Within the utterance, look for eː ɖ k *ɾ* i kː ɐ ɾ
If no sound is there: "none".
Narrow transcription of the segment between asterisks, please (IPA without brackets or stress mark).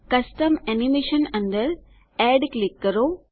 l